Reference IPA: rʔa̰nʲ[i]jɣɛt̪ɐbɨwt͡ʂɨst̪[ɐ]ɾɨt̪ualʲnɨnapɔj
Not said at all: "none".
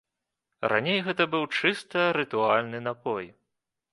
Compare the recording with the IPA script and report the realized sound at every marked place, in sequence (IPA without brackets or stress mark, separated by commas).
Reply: e, ɐ